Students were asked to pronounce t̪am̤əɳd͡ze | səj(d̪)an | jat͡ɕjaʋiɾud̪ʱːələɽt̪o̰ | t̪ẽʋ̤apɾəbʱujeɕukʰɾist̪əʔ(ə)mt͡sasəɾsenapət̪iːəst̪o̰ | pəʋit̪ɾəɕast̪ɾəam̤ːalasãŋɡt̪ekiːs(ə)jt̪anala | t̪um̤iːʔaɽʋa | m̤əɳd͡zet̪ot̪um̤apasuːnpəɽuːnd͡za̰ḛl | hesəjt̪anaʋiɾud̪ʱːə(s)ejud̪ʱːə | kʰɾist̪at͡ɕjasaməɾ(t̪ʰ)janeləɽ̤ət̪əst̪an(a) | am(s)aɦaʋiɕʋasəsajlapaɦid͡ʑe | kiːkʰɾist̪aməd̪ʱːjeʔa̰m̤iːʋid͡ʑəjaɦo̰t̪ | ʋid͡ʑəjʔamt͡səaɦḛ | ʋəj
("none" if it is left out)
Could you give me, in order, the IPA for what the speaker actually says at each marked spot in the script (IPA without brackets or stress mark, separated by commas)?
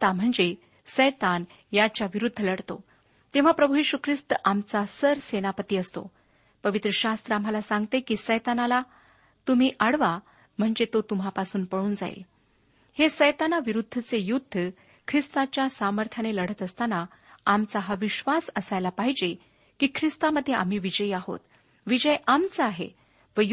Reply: t̪, a, ə, t͡s, t̪ʰ, a, t͡s